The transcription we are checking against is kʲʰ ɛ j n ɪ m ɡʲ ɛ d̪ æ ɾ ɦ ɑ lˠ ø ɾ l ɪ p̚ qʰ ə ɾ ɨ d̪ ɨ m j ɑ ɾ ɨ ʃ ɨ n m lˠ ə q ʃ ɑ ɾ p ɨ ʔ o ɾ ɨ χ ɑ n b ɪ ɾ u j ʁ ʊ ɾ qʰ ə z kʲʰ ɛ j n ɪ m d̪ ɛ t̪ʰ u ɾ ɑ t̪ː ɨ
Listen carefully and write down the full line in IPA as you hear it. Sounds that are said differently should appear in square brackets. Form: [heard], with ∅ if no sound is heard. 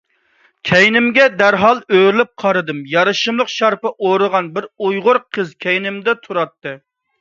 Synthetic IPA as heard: kʲʰ ɛ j n ɪ m ɡʲ ɛ d̪ æ ɾ ɦ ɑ lˠ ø ɾ l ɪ p̚ qʰ [ɑ] ɾ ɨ d̪ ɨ m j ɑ ɾ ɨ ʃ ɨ [∅] m lˠ ə q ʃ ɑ ɾ p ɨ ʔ o ɾ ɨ [ʁ] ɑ n b ɪ ɾ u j ʁ ʊ ɾ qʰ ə z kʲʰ ɛ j n ɪ m d̪ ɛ t̪ʰ u ɾ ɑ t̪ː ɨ